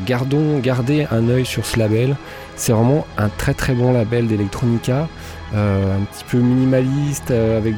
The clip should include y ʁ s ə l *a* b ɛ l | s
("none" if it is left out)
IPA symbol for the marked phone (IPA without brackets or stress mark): a